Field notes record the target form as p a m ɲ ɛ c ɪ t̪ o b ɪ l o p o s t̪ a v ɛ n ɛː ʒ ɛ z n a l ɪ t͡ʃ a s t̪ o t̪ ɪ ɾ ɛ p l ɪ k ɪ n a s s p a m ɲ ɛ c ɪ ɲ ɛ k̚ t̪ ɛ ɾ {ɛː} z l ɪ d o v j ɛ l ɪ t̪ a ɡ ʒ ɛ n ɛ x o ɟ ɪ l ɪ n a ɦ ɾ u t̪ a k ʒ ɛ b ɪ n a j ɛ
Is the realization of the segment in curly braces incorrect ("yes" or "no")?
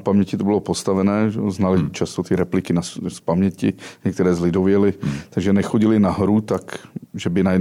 no